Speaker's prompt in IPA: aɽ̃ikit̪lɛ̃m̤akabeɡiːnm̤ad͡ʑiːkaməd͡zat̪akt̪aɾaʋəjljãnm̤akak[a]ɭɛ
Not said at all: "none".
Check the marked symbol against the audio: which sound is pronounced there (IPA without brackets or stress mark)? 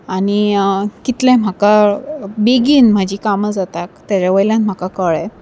ə